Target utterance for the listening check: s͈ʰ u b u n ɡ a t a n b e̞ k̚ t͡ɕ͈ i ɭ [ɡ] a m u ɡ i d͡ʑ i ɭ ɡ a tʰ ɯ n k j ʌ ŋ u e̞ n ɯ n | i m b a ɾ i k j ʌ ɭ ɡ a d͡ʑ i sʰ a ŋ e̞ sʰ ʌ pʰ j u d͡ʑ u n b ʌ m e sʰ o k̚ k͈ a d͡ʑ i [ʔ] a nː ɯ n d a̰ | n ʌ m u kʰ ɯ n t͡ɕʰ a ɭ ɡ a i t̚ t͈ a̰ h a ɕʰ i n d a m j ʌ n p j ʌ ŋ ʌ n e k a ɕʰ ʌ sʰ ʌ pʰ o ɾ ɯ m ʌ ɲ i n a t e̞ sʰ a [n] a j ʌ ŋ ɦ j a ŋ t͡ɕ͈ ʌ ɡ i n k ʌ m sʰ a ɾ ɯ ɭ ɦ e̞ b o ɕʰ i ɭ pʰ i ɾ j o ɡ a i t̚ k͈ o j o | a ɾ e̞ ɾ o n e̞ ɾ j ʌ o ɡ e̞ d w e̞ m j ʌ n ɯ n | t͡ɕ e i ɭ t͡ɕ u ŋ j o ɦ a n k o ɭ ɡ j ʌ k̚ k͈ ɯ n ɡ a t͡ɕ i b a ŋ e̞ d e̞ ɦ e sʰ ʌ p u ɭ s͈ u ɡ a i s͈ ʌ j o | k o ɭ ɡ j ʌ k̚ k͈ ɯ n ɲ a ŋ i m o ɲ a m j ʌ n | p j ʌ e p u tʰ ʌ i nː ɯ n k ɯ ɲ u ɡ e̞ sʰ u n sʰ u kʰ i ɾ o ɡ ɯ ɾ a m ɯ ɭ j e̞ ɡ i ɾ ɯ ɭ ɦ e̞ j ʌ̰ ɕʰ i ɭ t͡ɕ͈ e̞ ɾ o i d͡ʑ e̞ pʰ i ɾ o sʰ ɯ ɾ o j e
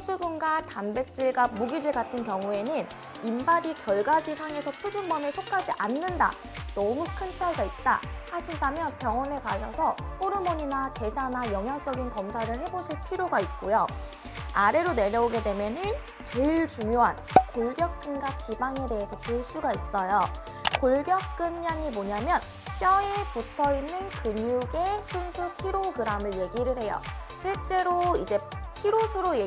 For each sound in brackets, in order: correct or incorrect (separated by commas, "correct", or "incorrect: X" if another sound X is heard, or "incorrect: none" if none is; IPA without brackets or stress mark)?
correct, correct, correct